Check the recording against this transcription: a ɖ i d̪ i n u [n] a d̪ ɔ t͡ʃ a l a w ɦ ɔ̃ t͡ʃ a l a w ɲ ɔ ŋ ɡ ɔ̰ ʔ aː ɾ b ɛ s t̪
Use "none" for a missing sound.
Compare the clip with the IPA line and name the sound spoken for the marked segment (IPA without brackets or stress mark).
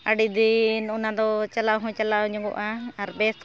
n